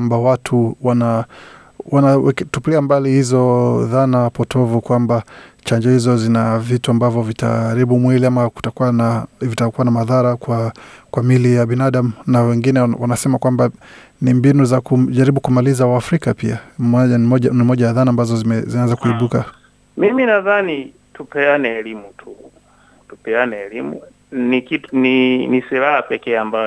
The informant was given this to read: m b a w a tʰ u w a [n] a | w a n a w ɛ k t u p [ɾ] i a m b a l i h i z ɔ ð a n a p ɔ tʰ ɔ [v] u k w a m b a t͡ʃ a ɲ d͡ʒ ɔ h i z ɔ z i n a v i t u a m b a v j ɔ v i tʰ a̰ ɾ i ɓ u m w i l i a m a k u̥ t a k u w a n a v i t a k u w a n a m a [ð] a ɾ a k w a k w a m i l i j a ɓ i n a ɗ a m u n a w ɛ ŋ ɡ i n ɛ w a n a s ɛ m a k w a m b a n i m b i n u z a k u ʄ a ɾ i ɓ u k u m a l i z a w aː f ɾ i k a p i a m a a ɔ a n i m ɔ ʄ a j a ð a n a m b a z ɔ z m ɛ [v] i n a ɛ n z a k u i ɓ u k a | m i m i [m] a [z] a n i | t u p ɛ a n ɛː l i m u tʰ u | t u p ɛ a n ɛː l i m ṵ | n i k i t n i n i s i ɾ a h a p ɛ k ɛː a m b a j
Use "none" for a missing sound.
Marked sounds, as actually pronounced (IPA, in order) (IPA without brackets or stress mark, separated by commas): n, l, v, ð, z, n, ð